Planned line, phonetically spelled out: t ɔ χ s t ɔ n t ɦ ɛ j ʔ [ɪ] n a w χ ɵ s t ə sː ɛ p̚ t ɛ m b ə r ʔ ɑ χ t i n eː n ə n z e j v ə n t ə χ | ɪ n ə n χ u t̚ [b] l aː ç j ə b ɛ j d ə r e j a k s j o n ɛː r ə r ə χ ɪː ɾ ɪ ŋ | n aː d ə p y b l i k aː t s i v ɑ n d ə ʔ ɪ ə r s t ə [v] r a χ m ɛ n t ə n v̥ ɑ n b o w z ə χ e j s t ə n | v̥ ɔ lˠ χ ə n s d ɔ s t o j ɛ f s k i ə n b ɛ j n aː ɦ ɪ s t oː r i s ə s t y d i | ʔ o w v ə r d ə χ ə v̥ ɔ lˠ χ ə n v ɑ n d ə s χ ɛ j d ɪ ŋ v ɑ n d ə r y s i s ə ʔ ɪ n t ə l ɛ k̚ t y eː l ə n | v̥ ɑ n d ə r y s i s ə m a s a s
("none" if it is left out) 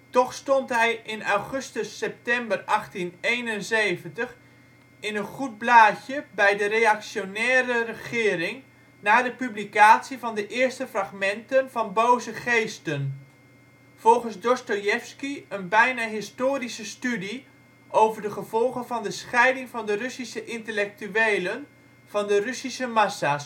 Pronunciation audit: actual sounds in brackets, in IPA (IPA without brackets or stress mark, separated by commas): ɪ, b, f